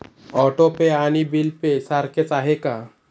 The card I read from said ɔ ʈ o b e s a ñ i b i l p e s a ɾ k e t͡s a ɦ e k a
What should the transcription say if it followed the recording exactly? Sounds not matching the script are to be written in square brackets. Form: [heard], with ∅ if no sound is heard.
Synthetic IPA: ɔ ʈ o [p] e [∅] a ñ i b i l p e s a ɾ k e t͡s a ɦ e k a